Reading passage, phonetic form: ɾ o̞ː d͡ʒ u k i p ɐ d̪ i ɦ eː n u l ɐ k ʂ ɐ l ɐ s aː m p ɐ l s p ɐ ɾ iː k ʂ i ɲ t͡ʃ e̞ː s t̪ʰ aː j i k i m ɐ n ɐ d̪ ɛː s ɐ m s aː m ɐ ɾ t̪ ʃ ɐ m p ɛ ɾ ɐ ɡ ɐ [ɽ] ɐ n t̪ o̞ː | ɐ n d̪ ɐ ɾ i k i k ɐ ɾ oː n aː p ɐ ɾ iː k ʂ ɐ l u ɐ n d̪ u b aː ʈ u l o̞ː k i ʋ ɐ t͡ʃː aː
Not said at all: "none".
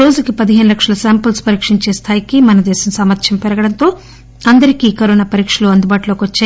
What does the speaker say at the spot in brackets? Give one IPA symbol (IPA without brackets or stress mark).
ɽ